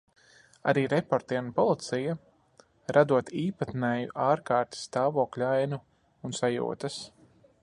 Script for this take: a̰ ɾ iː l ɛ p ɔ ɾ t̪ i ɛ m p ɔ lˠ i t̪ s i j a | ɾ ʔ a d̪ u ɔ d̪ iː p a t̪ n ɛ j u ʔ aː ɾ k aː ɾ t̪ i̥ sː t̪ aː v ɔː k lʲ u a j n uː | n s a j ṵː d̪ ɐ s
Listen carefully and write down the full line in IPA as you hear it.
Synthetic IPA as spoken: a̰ ɾ iː ɾ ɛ p ɔ ɾ t̪ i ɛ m p ɔ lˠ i t̪ s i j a | ɾ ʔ a d̪ u ɔ t̪ iː p a t̪ n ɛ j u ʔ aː ɾ k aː ɾ t̪ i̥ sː t̪ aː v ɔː k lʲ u a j n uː | n s a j ṵː t̪ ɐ s